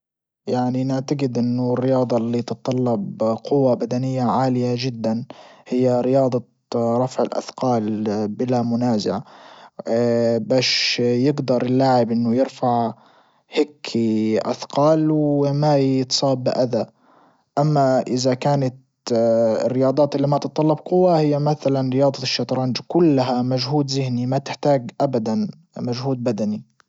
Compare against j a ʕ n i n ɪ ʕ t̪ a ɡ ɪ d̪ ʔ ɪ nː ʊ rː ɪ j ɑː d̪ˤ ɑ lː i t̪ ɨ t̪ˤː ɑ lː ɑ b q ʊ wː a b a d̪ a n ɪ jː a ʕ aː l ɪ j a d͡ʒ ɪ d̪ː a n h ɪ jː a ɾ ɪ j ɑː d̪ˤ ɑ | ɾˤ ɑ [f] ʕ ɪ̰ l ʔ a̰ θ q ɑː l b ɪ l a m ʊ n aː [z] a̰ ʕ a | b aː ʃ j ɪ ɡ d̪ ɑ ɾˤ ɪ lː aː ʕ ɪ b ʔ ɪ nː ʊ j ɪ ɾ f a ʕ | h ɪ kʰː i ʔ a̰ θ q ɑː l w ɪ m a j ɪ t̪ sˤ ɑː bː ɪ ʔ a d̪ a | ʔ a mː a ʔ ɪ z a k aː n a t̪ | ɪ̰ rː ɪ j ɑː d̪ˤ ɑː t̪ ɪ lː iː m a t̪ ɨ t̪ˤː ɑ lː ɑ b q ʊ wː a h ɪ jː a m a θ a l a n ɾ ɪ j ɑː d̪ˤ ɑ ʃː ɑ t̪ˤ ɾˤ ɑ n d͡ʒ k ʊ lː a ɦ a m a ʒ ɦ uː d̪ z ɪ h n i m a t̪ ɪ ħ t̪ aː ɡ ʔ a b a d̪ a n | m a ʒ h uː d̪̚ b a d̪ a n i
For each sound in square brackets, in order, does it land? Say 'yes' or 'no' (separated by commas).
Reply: yes, yes